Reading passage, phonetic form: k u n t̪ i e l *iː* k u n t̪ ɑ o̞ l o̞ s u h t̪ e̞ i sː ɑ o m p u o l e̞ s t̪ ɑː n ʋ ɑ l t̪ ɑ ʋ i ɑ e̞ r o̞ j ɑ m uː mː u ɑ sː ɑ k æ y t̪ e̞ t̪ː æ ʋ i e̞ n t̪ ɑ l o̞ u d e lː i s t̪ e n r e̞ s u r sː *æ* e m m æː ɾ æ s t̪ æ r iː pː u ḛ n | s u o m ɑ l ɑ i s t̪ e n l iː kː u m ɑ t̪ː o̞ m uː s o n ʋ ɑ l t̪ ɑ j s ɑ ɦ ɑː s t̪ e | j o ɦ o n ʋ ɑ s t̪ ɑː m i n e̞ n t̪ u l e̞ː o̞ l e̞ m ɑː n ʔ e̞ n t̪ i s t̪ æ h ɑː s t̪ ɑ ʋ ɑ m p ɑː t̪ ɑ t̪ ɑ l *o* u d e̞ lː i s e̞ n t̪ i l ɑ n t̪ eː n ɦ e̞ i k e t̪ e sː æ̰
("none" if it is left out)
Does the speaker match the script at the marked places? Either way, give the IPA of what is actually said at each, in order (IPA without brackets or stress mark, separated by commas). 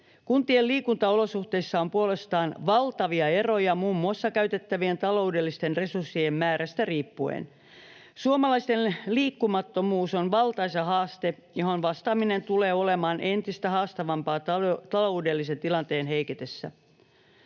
iː, i, o